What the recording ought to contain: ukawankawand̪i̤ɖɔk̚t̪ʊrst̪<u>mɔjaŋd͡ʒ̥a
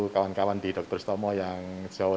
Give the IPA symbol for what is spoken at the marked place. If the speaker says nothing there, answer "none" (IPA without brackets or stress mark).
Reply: ɔ